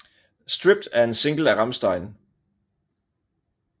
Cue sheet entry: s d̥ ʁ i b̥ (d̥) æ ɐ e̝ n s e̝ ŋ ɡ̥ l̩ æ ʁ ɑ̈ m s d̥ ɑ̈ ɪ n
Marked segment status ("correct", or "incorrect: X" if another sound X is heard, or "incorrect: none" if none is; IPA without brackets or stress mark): correct